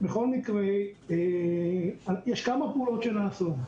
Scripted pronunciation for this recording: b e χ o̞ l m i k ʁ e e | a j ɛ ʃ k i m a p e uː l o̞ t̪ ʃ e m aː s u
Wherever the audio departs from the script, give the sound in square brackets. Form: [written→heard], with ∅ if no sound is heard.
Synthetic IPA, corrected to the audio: b e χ o̞ l m i k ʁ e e | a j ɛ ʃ k [i→a] m a p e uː l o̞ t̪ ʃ e [m→n] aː s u